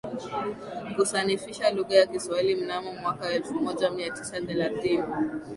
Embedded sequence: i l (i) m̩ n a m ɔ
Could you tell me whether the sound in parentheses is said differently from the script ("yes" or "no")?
no